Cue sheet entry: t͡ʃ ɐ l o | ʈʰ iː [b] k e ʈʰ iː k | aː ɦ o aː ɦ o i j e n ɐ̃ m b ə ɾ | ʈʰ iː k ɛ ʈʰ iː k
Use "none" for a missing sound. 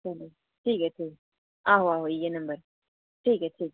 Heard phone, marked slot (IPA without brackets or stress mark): none